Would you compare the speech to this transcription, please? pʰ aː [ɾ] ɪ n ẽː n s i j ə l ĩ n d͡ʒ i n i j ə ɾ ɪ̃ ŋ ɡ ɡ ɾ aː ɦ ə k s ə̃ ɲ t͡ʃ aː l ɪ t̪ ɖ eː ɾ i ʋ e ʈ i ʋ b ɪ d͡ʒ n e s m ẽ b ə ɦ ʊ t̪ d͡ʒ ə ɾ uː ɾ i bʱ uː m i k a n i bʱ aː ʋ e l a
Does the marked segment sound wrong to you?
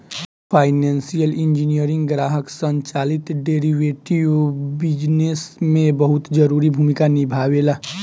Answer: yes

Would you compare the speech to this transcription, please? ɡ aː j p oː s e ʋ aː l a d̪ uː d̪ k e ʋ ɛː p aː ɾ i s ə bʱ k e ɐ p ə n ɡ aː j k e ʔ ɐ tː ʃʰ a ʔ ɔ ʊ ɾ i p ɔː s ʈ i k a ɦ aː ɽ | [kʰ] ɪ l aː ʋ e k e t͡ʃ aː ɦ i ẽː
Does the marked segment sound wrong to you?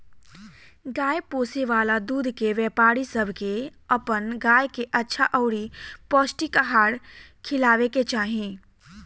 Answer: no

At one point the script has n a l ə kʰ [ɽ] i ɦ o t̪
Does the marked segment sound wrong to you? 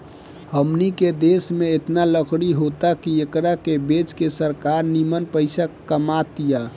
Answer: no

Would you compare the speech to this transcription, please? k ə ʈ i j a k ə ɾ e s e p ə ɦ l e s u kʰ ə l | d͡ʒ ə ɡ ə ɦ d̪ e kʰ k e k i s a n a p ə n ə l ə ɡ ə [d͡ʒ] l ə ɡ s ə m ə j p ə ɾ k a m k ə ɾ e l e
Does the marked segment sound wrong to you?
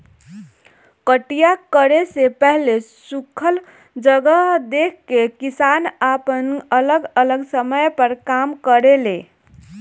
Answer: yes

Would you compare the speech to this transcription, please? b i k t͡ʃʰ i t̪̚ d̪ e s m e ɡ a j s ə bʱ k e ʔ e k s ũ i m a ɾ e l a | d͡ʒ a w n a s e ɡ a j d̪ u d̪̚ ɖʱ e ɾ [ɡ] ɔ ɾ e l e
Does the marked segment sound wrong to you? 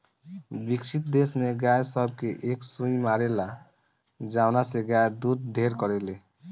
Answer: yes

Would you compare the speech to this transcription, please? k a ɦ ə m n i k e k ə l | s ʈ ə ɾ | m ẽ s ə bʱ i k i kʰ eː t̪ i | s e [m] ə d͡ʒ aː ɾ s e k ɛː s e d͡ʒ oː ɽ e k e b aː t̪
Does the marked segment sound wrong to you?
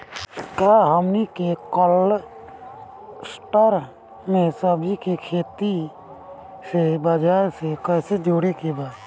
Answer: yes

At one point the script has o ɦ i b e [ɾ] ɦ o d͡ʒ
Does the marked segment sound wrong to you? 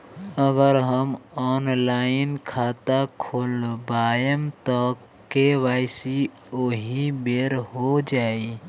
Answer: no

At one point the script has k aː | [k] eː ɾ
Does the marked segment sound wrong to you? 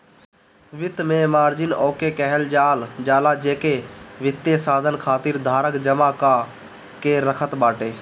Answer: no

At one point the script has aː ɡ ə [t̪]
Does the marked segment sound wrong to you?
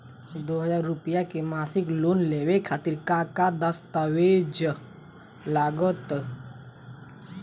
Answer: no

